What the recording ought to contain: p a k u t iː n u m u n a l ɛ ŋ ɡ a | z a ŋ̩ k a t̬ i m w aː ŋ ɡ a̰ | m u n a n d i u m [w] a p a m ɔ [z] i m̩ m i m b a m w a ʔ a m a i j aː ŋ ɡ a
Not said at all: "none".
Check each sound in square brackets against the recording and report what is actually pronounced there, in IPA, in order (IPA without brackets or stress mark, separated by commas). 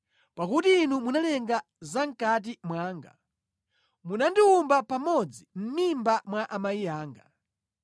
b, d͡z